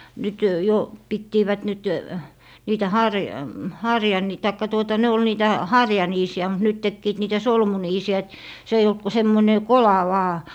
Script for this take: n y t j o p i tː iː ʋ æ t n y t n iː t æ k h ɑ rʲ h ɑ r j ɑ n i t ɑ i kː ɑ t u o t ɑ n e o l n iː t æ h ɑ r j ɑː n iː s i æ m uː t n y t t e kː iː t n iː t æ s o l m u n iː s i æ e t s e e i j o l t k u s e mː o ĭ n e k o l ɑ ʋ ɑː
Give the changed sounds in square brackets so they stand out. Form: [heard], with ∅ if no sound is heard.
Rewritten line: n y t j o p i tː iː ʋ æ t n y t n iː t æ [∅] h ɑ rʲ h ɑ r j ɑ n i t ɑ i kː ɑ t u o t ɑ n e o l n iː t æ h ɑ r j [ɑ] n iː s i æ m [u] t n y t t e kː iː t n iː t æ s o l m u n iː s i æ e t s e e i j o l t k u s e mː o ĭ n e k o l ɑ ʋ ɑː